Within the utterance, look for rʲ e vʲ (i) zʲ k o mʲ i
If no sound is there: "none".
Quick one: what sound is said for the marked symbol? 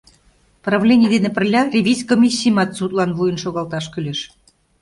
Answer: i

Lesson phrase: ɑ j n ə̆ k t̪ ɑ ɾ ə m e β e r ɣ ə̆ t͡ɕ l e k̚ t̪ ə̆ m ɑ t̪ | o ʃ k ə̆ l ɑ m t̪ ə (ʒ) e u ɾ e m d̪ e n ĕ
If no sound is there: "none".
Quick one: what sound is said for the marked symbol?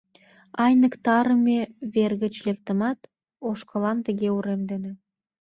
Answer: ɣ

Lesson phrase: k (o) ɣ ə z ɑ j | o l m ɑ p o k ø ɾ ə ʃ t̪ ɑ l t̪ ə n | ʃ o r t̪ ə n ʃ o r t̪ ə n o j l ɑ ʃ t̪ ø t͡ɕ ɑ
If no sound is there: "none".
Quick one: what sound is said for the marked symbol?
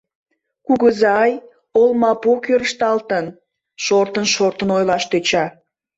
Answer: u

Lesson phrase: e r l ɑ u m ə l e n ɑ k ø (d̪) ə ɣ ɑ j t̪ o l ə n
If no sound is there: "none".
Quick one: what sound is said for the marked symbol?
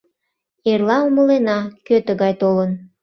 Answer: t̪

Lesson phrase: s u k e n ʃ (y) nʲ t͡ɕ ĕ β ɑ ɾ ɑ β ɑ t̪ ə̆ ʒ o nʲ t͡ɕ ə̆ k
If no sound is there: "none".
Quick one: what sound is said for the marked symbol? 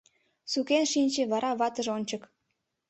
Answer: i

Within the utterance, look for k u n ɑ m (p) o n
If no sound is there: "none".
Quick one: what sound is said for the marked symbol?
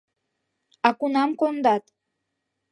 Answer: k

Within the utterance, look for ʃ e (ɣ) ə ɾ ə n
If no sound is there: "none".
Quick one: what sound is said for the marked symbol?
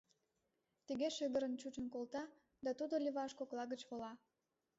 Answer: ɣ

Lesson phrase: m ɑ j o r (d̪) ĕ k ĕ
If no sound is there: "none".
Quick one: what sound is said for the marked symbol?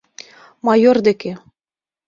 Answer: d̪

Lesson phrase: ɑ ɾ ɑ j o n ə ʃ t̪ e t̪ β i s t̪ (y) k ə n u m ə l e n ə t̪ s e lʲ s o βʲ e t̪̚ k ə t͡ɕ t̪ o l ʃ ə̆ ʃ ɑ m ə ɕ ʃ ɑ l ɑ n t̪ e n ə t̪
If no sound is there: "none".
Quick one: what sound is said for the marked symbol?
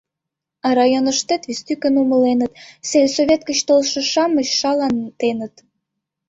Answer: y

